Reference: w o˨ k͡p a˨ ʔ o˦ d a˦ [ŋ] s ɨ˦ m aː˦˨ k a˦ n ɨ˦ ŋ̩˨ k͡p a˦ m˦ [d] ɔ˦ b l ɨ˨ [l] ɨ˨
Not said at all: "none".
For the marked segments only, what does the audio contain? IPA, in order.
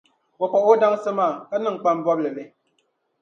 ŋ, b, l

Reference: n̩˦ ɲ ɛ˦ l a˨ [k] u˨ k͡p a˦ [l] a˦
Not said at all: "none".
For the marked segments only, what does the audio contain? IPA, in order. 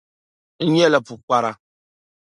p, ɾ

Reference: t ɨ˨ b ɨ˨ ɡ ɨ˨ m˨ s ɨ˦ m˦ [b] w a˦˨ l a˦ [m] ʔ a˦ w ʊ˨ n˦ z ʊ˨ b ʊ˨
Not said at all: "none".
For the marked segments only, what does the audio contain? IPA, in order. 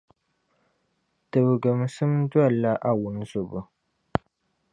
d, none

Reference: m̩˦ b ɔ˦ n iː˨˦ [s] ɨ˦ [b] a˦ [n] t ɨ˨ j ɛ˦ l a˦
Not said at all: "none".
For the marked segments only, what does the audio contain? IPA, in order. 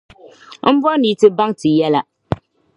t, b, ŋ

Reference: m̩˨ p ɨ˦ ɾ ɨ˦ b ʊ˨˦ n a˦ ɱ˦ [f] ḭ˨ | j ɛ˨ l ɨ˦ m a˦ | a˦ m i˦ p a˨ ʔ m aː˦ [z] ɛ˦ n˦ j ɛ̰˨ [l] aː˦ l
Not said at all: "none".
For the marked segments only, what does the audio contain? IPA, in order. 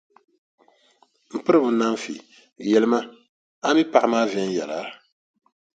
f, v, l

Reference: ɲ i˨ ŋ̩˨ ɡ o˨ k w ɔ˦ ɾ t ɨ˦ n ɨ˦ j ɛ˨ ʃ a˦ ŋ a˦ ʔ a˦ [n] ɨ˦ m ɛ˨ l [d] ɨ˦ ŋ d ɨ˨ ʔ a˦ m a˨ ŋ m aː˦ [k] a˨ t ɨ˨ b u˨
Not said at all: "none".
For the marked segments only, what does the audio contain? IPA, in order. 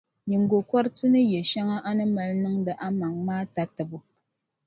n, n, t

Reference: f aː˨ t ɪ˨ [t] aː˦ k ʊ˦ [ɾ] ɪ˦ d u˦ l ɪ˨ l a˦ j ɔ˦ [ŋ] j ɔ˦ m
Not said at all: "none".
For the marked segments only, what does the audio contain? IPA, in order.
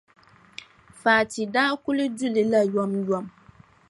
d, l, m

